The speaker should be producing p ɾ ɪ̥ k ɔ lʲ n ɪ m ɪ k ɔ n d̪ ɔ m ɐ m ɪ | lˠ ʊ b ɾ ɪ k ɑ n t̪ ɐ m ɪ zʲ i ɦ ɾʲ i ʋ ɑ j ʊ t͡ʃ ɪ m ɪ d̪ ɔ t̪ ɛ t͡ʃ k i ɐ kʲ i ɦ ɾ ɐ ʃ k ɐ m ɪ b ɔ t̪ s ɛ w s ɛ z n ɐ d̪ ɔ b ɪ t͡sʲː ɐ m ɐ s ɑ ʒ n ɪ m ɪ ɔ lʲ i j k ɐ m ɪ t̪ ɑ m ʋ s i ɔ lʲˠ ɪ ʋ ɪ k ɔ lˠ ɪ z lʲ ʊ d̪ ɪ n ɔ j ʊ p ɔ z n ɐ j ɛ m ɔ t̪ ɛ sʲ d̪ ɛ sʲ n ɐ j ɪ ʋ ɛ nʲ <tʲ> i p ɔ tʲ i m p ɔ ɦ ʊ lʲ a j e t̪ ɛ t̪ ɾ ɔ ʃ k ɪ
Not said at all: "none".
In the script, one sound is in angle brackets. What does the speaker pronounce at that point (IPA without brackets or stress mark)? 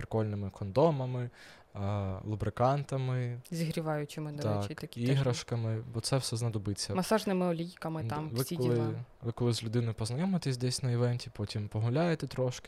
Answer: tʲ